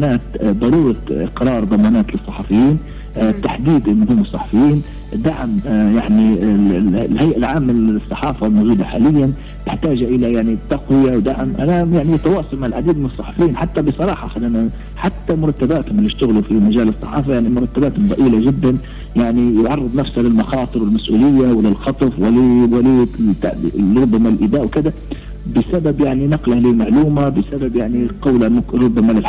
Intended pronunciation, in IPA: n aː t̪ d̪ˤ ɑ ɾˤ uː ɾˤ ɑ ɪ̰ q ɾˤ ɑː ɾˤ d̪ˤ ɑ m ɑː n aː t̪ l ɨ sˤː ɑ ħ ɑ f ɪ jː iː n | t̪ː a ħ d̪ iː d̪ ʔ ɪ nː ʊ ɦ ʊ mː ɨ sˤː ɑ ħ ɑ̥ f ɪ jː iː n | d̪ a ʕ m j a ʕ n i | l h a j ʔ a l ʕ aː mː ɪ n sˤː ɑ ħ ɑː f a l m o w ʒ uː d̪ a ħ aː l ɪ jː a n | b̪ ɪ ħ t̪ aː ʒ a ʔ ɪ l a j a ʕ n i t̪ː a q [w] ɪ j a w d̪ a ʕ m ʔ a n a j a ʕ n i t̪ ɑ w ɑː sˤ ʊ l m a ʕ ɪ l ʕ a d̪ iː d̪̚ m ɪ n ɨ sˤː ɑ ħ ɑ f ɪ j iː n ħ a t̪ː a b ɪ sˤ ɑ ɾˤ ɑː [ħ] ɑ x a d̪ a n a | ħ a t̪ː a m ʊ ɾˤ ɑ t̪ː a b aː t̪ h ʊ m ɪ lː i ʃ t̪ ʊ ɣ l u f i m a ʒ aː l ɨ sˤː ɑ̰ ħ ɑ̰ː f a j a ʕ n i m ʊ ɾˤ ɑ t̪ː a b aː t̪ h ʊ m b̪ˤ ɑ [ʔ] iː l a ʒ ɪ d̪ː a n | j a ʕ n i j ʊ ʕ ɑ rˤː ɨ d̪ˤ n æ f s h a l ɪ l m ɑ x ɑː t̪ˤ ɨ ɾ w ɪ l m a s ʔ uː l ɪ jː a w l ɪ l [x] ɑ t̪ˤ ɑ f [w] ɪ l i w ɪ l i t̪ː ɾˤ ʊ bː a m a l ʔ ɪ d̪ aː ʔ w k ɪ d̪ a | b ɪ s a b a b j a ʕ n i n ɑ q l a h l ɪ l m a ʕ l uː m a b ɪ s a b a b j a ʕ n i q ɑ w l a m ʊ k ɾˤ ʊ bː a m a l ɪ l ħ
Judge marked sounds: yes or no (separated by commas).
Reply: yes, yes, yes, yes, yes